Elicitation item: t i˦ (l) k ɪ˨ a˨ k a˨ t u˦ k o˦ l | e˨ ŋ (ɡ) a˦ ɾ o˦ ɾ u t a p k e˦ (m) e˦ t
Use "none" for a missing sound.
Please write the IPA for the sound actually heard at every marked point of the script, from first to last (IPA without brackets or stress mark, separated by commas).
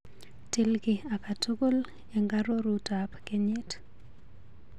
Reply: l, ɡ, ɲ